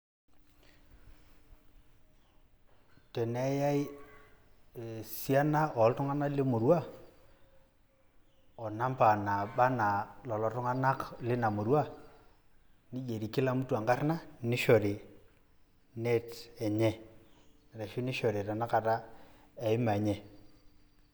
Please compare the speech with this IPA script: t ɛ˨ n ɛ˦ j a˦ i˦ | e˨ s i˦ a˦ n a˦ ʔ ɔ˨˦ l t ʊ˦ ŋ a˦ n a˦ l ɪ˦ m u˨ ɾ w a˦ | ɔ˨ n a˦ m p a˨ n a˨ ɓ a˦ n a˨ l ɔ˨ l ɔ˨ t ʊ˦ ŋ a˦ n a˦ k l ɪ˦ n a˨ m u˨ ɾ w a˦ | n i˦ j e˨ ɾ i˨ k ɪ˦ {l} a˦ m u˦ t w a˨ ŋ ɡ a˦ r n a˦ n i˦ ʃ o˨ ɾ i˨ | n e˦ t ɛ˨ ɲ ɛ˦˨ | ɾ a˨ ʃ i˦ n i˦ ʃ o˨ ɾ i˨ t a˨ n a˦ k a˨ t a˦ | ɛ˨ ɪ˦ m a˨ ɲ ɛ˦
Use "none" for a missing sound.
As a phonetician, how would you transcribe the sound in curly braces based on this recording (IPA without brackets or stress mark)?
l